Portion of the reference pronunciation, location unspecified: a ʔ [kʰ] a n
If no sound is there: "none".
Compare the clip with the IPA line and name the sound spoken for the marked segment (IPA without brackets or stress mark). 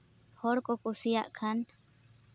kʰ